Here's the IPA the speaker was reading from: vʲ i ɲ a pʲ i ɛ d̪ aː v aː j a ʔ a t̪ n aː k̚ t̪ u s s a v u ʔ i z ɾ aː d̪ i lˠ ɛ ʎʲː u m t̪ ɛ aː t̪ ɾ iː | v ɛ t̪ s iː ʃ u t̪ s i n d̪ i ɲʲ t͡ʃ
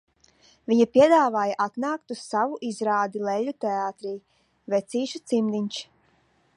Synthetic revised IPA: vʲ i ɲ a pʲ i ɛ d̪ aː v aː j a ʔ a t̪ n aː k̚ t̪ u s s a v u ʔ i z ɾ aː d̪ i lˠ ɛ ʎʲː u t̪ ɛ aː t̪ ɾ iː | v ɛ t̪ s iː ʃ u t̪ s i m d̪ i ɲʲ t͡ʃ

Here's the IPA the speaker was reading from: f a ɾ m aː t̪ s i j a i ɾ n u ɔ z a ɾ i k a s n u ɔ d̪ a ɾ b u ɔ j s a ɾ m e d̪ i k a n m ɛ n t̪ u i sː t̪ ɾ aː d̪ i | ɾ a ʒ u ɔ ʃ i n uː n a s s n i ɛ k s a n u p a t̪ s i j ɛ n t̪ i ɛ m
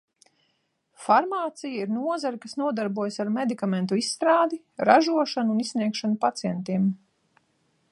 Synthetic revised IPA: f a ɾ m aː t̪ s i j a i ɾ n u ɔ z a ɾ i k a s n u ɔ d̪ a ɾ b u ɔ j s a ɾ m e d̪ i k a m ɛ n t̪ u i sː t̪ ɾ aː d̪ i | ɾ a ʒ u ɔ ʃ a n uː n i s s n i ɛ k ʃ a n u p a t̪ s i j ɛ n t̪ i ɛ m

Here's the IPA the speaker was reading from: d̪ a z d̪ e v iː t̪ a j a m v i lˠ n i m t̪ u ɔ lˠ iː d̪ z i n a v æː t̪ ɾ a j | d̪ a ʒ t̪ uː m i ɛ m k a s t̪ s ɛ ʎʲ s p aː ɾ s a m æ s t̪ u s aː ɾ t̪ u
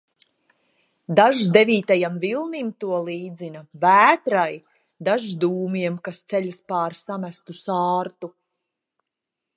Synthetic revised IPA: d̪ a ʒ d̪ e v iː t̪ a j a m v i lˠ n i m t̪ u ɔ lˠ iː d̪ z i n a v æː t̪ ɾ a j | d̪ a ʒ d̪ uː m i ɛ m k a s t̪ s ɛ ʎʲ s p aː ɾ s a m æ s t̪ u s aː ɾ t̪ u

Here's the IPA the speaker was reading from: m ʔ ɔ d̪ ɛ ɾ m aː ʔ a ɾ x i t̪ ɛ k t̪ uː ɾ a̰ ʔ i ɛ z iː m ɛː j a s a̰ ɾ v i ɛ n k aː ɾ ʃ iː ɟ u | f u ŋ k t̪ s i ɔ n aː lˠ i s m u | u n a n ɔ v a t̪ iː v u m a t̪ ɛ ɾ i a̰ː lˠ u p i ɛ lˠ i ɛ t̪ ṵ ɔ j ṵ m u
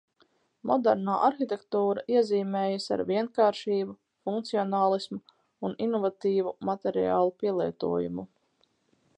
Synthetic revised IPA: m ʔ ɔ d̪ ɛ ɾ n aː ʔ a ɾ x i t̪ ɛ k t̪ uː ɾ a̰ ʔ i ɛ z iː m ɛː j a s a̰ ɾ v i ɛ n k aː ɾ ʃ iː b u | f u ŋ k t̪ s i ɔ n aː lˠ i s m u | u n i n ɔ v a t̪ iː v u m a t̪ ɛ ɾ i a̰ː lˠ u p i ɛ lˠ i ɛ t̪ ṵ ɔ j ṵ m u

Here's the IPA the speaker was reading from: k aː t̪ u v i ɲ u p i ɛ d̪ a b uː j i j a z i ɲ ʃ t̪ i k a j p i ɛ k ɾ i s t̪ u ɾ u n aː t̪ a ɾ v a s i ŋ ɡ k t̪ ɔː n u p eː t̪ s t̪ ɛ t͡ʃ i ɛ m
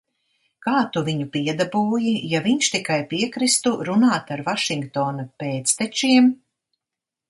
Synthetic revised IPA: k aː t̪ u v i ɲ u p i ɛ d̪ a b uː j i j a v i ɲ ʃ t̪ i k a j p i ɛ k ɾ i s t̪ u ɾ u n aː t̪ a ɾ v a ʃ i ŋ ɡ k t̪ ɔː n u p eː t̪ s t̪ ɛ t͡ʃ i ɛ m

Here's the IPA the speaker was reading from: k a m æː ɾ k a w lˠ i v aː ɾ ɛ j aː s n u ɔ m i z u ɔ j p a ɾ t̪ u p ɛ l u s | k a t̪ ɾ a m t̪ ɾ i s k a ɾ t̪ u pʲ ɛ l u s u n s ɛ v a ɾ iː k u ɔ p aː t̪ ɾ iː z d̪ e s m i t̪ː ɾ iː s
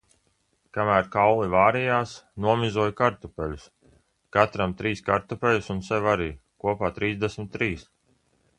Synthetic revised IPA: k a m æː ɾ k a w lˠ i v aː ɾ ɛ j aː s n u ɔ m i z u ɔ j k a ɾ t̪ u p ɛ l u s | k a t̪ ɾ a m t̪ ɾ iː s k a ɾ t̪ u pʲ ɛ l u s u n s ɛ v a ɾ iː k u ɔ p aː t̪ ɾ iː z d̪ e s m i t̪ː ɾ iː s

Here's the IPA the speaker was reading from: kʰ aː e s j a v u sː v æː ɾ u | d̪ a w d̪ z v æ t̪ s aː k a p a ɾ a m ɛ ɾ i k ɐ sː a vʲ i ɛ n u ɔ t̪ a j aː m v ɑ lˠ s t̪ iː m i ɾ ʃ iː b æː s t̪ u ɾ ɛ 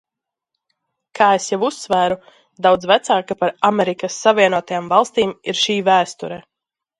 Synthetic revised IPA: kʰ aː e s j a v u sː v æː ɾ u | d̪ a w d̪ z v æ t̪ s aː k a p a ɾ a m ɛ ɾ i k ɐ sː a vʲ i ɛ n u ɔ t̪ a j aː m v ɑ lˠ s t̪ iː m i ɾ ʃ iː v æː s t̪ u ɾ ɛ

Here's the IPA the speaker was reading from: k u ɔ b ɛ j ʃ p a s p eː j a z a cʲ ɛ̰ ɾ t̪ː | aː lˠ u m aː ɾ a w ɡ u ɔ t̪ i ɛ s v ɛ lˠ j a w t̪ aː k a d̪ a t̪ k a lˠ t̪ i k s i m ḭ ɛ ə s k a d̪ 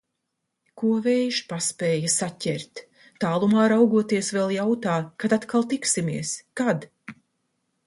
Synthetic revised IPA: k u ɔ v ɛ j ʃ p a s p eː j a s a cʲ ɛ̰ ɾ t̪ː | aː lˠ u m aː ɾ a w ɡ u ɔ t̪ i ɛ s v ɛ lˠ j a w t̪ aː k a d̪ a t̪ k a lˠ t̪ i k s i m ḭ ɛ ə s k a d̪

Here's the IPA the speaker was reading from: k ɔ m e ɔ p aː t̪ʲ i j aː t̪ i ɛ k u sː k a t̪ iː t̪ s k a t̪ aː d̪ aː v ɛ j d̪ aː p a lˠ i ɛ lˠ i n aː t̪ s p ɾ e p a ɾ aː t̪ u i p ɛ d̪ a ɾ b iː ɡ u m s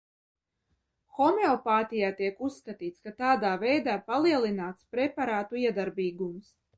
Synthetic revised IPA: x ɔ m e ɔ p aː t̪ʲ i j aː t̪ i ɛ k u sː k a t̪ iː t̪ s k a t̪ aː d̪ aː v ɛ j d̪ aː p a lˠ i ɛ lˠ i n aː t̪ s p ɾ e p a ɾ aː t̪ u i ɛ d̪ a ɾ b iː ɡ u m s

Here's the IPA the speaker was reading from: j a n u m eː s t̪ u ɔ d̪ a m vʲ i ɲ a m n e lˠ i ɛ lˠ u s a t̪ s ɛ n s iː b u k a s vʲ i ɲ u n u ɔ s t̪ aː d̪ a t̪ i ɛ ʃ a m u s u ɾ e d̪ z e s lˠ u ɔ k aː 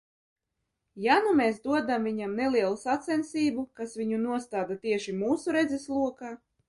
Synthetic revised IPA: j a n u m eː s d̪ u ɔ d̪ a m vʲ i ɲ a m n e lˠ i ɛ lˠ u s a t̪ s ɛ n s iː b u k a s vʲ i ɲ u n u ɔ s t̪ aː d̪ a t̪ i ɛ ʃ i m uː s u ɾ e d̪ z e s lˠ u ɔ k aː

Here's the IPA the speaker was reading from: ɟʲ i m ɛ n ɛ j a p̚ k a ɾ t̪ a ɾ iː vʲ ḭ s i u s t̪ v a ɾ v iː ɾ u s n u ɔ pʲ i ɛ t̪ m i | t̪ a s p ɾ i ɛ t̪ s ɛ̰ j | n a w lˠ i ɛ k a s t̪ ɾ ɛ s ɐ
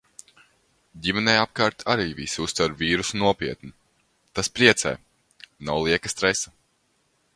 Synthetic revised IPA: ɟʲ i m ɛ n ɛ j a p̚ k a ɾ t̪ a ɾ iː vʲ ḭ s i u s t̪ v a ɾ v iː ɾ u s n u ɔ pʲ i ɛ t̪ n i | t̪ a s p ɾ i ɛ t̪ s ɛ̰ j | n a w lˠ i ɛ k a s t̪ ɾ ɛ s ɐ

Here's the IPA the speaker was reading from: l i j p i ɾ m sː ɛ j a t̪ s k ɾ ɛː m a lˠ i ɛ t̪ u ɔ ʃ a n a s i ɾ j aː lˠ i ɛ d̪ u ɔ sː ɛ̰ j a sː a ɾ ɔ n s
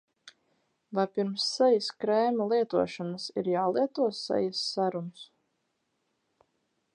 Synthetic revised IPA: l a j p i ɾ m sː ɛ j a s k ɾ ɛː m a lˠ i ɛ t̪ u ɔ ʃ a n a s i ɾ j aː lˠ i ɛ t̪ u ɔ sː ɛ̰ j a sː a ɾ u n s

